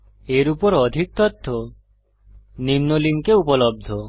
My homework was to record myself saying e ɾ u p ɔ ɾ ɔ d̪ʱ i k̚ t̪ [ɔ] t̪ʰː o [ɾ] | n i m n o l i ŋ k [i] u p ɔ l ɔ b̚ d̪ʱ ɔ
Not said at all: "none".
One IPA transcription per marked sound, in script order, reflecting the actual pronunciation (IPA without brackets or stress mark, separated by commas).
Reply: ɔ, none, e